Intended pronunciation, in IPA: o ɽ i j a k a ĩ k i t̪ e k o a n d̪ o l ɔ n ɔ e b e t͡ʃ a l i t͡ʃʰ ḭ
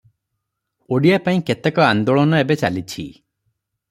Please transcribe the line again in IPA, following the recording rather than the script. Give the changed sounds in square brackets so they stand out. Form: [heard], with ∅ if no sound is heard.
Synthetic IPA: o ɽ i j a [p] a ĩ k [e] t̪ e k [ɔ] a n d̪ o [ɭ] ɔ n ɔ e b e t͡ʃ a l i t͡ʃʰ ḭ